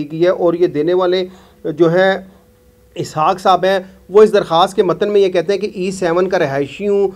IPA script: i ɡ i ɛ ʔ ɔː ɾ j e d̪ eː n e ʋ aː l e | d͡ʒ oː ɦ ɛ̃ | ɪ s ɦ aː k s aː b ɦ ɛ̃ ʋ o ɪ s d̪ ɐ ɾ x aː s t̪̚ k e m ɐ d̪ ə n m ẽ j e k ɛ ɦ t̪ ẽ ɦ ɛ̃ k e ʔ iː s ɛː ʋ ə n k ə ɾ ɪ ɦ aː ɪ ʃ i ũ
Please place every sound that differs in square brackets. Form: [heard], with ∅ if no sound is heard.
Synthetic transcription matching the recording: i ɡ i ɛ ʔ ɔː ɾ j e d̪ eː n e ʋ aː l e | d͡ʒ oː ɦ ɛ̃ | ɪ s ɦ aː k s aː b ɦ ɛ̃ ʋ o ɪ s d̪ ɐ ɾ x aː s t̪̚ k e m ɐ [t̪] ə n m ẽ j e k ɛ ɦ t̪ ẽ ɦ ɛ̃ k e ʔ iː s ɛː ʋ ə n k [a] ɾ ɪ ɦ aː ɪ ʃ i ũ